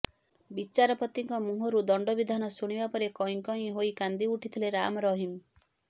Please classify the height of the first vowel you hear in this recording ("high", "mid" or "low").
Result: high